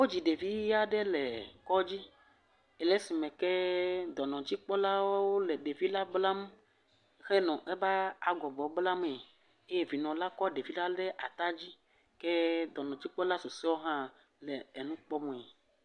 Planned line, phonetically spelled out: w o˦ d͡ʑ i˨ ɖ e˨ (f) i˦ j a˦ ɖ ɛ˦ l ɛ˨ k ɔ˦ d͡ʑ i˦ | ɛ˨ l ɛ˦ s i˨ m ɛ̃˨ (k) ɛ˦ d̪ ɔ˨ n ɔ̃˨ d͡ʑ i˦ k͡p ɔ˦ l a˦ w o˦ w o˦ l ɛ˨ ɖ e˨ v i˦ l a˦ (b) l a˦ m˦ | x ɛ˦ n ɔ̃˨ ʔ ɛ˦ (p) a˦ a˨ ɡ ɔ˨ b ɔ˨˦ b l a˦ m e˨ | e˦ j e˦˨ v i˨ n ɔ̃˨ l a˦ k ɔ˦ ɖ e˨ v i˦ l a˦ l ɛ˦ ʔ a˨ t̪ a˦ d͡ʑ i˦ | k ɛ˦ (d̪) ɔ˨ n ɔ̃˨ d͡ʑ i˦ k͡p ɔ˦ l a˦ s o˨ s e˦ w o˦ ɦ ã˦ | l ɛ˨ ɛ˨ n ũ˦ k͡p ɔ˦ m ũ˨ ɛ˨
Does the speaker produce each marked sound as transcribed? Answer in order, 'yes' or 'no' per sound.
no, yes, yes, no, yes

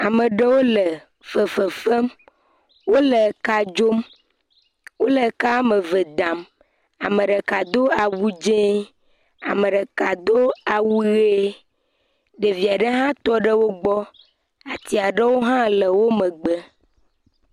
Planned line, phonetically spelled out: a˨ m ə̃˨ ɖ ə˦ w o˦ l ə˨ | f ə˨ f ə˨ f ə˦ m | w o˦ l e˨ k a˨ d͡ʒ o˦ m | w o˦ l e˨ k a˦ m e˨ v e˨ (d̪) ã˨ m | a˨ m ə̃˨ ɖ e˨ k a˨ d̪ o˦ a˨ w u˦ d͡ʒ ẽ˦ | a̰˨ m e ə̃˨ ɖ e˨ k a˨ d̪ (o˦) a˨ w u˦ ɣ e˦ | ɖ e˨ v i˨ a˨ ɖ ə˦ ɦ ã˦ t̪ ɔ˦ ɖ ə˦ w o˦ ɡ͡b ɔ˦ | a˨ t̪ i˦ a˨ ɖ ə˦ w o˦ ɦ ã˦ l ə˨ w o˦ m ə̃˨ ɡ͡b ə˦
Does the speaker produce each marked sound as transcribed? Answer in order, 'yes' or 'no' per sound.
yes, yes

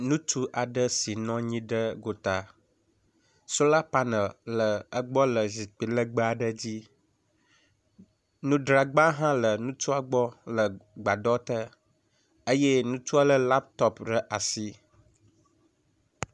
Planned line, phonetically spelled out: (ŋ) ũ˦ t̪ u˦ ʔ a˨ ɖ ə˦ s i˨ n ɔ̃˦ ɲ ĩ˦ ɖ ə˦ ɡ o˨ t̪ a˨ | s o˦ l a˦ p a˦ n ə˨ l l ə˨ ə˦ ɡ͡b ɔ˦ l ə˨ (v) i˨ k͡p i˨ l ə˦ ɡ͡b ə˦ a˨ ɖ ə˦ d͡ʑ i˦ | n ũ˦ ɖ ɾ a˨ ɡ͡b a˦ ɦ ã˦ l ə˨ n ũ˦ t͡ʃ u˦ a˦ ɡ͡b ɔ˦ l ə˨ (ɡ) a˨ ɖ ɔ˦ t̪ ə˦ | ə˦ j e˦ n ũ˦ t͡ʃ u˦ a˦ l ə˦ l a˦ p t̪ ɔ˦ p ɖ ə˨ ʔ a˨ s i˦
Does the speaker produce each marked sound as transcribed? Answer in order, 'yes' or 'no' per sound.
no, no, no

